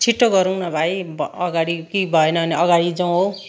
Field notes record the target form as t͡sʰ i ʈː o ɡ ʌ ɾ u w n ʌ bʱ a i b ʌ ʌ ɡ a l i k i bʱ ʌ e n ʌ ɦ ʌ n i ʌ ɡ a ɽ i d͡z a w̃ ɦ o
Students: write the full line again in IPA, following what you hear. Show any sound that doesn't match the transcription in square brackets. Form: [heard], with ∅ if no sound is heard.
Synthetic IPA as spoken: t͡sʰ i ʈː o ɡ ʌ ɾ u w n ʌ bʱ a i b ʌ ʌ ɡ a [ɽ] i k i bʱ ʌ e n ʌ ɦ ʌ n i ʌ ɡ a ɽ i d͡z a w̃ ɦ o